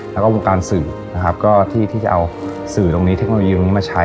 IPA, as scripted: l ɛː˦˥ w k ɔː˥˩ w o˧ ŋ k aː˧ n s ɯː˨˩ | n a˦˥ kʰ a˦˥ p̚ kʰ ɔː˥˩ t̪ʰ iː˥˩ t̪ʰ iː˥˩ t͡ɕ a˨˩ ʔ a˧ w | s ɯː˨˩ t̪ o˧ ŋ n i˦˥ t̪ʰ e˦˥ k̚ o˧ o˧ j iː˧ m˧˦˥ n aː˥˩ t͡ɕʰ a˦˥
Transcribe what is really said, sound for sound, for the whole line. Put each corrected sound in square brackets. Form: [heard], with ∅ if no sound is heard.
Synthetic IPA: l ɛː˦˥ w k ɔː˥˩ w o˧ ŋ k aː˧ n s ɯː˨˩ | n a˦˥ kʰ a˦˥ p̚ [k] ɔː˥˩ t̪ʰ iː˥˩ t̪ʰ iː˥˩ t͡ɕ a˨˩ ʔ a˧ w | s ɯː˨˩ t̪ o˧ ŋ n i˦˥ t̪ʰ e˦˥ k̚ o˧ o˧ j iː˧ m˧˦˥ [m] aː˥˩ t͡ɕʰ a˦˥